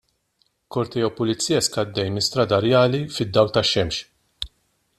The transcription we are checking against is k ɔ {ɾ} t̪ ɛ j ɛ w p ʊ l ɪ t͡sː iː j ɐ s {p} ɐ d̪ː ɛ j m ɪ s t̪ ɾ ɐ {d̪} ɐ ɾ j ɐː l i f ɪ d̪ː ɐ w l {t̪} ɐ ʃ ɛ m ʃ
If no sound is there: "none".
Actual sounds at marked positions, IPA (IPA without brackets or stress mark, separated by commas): ɾ, k, d̪, t̪